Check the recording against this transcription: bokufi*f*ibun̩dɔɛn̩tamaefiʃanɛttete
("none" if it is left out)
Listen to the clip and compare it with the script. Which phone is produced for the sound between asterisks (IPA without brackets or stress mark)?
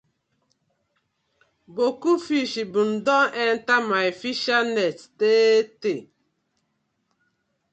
ʃ